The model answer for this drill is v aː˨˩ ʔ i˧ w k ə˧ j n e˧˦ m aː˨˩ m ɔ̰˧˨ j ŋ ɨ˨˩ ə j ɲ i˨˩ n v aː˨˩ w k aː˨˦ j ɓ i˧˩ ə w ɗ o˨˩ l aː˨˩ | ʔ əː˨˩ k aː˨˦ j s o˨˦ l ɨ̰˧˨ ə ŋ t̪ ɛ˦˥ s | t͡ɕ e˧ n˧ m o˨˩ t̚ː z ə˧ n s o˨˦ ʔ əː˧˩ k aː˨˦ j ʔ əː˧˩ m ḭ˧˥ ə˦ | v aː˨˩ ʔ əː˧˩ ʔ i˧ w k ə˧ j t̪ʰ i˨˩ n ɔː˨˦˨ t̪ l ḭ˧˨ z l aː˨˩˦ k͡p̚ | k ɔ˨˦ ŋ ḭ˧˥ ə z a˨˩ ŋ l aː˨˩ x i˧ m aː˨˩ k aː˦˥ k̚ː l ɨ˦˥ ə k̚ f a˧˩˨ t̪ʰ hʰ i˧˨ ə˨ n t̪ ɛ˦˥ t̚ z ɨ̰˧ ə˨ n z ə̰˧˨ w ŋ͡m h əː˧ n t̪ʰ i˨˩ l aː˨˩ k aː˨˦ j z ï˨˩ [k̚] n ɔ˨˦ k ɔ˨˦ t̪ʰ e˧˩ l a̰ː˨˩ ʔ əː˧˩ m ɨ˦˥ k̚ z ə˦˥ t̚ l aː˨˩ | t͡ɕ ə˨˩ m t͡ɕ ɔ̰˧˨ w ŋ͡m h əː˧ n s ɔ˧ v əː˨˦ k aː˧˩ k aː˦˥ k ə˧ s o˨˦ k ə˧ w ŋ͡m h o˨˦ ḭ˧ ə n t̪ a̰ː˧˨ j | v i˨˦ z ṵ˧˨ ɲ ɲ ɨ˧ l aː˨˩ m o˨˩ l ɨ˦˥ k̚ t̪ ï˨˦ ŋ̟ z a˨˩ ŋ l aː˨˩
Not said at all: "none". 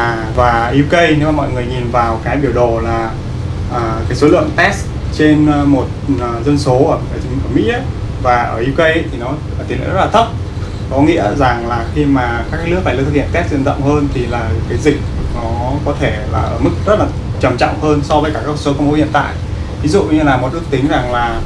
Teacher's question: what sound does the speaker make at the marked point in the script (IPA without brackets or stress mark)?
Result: k̚